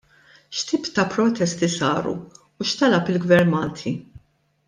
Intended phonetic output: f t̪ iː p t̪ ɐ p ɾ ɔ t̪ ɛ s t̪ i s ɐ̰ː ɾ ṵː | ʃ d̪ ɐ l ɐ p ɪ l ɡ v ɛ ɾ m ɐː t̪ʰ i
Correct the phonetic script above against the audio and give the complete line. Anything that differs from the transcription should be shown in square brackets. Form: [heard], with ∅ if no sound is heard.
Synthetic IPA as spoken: [ʃ] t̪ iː p t̪ ɐ p ɾ ɔ t̪ ɛ s t̪ i s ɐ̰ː ɾ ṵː | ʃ [t̪] ɐ l ɐ p ɪ l ɡ v ɛ ɾ m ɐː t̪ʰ i